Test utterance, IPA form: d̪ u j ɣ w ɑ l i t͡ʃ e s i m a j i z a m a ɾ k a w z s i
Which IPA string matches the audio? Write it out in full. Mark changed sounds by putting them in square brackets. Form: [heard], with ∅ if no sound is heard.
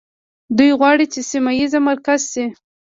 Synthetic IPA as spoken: d̪ u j ɣ w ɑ [ɽ] i t͡ʃ e s i m a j i z a m a ɾ k a [∅] z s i